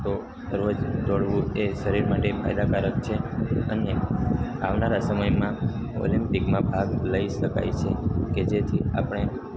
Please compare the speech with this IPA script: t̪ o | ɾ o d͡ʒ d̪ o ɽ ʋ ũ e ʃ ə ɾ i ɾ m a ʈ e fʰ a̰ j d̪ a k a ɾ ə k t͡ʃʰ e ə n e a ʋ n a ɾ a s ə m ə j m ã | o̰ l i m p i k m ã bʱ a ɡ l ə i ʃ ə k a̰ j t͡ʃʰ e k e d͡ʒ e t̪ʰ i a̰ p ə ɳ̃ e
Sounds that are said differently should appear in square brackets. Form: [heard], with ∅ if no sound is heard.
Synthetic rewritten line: t̪ o | ɾ o d͡ʒ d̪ o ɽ ʋ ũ e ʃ ə ɾ i ɾ m a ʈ e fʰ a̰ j d̪ a k a ɾ ə k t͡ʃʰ e ə n e a ʋ n a ɾ a s ə m ə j m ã | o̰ l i m p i k m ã bʱ a ɡ l ə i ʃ ə k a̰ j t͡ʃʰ e k e d͡ʒ e t̪ʰ i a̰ p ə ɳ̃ e

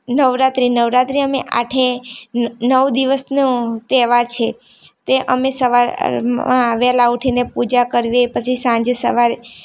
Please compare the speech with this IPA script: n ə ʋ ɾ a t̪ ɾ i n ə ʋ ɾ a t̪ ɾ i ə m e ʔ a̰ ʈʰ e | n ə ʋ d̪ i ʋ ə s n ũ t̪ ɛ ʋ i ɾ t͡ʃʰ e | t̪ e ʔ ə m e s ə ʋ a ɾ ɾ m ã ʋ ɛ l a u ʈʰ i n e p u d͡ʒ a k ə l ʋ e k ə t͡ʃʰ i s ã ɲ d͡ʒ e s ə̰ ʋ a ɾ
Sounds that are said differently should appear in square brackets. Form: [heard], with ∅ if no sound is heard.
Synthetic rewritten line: n ə ʋ ɾ a t̪ ɾ i n ə ʋ ɾ a t̪ ɾ i ə m e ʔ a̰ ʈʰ e | n ə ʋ d̪ i ʋ ə s n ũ t̪ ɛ ʋ [a] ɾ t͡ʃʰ e | t̪ e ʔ ə m e s ə ʋ a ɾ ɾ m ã ʋ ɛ l a u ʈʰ i n e p u d͡ʒ a k ə [ɾ] ʋ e [p] ə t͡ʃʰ i s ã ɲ d͡ʒ e s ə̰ ʋ a ɾ

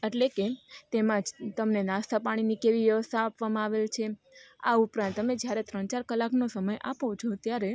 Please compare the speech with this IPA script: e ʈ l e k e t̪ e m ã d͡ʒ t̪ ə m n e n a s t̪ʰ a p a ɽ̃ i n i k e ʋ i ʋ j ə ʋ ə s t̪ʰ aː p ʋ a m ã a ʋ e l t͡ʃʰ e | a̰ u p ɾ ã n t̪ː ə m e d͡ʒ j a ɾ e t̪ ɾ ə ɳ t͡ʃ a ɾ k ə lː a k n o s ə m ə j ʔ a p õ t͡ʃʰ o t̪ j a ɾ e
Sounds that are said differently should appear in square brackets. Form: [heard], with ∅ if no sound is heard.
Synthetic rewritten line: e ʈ l e k e t̪ e m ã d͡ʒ t̪ ə m n e n a s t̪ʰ a p a ɽ̃ i n i k e ʋ i ʋ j ə ʋ ə s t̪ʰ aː p ʋ a m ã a ʋ e l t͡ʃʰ e | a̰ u p ɾ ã n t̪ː ə m e d͡ʒ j a ɾ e t̪ ɾ ə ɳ t͡ʃ a ɾ k ə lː a k n o s ə m ə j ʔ a p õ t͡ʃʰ o t̪ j a ɾ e

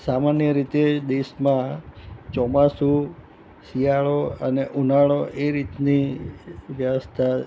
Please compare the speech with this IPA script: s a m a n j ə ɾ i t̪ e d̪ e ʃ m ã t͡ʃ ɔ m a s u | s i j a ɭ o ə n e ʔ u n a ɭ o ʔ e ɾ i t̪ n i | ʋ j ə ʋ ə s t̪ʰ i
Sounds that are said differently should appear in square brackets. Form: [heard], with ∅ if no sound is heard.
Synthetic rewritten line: s a m a n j ə ɾ i t̪ e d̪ e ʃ m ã t͡ʃ ɔ m a s u | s i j a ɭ o ə n e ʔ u n a ɭ o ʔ e ɾ i t̪ n i | ʋ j ə ʋ ə s t̪ʰ [a]

